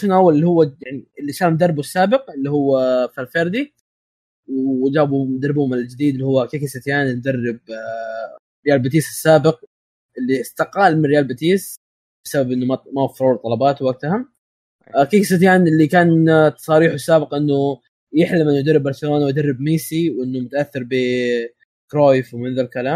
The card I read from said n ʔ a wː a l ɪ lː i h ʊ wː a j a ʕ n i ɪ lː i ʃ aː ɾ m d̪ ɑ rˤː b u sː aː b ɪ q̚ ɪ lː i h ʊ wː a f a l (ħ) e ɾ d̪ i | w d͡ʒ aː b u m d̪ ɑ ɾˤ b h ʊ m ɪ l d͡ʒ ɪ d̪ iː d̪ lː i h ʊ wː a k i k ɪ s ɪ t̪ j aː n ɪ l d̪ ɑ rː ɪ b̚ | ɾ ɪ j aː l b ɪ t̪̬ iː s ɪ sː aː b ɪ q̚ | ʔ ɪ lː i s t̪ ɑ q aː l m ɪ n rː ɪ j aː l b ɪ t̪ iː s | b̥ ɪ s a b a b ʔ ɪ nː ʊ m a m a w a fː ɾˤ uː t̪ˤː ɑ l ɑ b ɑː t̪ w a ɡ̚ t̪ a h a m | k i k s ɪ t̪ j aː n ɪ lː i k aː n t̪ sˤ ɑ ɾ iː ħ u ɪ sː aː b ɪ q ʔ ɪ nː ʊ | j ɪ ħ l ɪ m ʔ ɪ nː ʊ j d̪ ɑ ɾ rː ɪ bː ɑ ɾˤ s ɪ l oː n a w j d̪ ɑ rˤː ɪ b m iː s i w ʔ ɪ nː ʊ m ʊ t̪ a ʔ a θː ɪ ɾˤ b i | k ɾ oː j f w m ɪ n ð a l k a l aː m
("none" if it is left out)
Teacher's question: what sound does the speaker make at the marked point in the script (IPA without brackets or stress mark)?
f